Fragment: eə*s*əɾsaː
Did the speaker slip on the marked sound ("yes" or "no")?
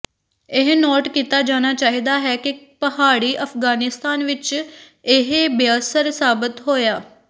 no